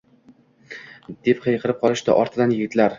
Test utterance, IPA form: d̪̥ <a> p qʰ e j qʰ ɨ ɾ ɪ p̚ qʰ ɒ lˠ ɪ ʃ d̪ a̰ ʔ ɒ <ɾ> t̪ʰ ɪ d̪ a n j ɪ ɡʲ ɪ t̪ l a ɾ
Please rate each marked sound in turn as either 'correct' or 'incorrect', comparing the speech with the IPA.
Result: incorrect, correct

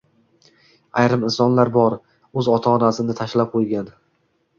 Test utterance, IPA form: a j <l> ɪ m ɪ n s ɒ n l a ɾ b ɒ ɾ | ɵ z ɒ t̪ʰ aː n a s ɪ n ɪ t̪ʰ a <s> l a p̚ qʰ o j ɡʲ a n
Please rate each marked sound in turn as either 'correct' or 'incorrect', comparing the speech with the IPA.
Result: incorrect, incorrect

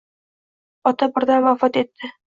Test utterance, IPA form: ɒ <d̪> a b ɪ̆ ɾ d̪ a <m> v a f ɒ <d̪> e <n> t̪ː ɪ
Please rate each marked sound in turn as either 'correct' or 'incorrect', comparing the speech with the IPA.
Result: incorrect, incorrect, incorrect, incorrect

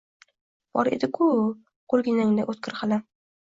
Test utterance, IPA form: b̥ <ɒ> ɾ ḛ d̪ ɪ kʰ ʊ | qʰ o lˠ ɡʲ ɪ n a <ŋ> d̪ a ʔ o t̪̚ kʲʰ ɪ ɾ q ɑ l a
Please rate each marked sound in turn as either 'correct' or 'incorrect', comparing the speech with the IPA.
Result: correct, correct

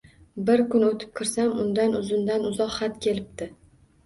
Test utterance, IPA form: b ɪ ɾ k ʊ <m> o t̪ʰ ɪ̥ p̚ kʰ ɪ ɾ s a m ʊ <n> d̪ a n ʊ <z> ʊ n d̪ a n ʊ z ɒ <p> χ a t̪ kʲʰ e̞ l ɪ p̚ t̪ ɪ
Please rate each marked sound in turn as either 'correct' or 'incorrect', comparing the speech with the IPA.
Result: incorrect, correct, correct, incorrect

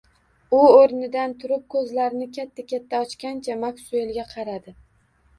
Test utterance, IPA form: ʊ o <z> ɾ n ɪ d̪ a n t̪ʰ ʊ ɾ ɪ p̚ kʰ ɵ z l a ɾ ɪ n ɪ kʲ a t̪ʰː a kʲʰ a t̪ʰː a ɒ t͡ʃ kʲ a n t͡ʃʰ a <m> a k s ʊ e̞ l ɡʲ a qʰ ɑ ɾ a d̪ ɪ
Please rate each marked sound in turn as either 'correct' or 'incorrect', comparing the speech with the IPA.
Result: incorrect, correct

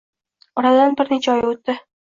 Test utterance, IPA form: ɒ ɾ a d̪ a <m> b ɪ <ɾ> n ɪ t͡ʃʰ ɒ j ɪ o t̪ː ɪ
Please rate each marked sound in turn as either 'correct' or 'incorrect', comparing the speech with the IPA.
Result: incorrect, correct

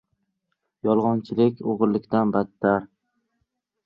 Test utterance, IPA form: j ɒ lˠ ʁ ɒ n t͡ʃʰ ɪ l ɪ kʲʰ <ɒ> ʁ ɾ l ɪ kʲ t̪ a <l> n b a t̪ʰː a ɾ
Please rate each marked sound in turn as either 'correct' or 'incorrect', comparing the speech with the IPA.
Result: incorrect, incorrect

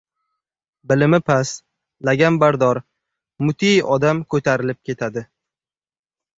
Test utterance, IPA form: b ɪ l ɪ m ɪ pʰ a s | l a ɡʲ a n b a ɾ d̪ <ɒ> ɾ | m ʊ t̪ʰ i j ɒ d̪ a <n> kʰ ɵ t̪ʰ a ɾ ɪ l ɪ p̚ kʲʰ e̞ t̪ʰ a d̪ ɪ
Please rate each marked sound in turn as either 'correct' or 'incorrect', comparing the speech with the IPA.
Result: correct, incorrect

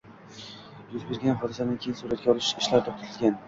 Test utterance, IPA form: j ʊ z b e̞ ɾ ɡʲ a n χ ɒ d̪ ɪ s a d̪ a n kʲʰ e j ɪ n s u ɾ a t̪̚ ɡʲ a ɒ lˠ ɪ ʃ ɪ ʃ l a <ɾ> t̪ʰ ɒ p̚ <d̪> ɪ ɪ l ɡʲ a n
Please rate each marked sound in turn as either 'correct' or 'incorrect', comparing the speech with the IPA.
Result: correct, incorrect

